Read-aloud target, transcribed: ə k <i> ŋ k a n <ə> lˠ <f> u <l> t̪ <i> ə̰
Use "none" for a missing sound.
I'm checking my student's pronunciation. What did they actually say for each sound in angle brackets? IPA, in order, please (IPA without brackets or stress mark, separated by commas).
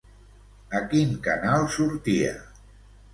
i, a, s, ɾ, i